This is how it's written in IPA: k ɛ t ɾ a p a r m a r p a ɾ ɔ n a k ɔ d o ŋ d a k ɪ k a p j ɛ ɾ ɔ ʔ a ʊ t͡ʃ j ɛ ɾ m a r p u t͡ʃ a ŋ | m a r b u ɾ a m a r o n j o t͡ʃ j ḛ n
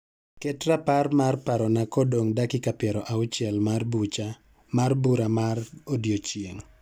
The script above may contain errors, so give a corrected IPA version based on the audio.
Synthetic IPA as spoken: k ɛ t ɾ a p a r m a r p a ɾ ɔ n a k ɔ d o ŋ d a k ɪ k a p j ɛ ɾ ɔ ʔ a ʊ t͡ʃ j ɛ l m a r b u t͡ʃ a | m a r b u ɾ a m a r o d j o t͡ʃ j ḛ ŋ